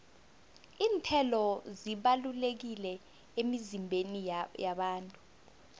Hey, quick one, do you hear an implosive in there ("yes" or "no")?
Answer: yes